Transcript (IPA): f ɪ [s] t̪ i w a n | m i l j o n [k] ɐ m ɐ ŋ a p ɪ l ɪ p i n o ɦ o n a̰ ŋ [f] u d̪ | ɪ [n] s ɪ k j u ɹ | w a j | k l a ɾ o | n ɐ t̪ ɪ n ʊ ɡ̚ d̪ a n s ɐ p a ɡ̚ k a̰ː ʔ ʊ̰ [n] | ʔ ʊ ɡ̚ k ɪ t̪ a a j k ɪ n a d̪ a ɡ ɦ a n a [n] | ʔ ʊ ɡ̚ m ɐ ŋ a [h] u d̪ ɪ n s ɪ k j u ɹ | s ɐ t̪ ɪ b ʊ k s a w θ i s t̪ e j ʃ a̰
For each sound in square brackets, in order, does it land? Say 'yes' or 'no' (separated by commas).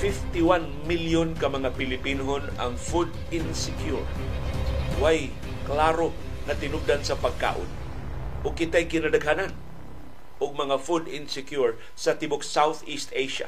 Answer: no, yes, yes, yes, yes, yes, no